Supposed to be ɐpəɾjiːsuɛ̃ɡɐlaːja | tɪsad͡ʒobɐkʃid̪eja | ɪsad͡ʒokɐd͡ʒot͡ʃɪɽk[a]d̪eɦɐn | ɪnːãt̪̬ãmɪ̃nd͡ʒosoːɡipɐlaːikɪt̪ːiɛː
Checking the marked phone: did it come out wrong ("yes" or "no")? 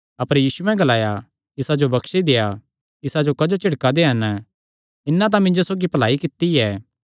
no